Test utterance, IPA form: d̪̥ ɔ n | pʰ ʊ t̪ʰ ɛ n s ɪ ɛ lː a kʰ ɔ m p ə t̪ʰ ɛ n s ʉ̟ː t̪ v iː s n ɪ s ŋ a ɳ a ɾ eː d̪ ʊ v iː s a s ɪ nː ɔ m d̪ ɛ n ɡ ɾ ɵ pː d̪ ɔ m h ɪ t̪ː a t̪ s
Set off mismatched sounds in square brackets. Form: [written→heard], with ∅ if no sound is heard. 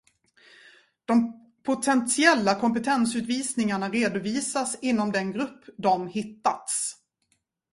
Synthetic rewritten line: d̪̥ ɔ [n→m] | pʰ ʊ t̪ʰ ɛ n s ɪ ɛ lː a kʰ ɔ m p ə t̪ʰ ɛ n s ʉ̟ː t̪ v iː s n ɪ [s→∅] ŋ a ɳ a ɾ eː d̪ ʊ v iː s a s ɪ nː ɔ m d̪ ɛ n ɡ ɾ ɵ pː d̪ ɔ m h ɪ t̪ː a t̪ s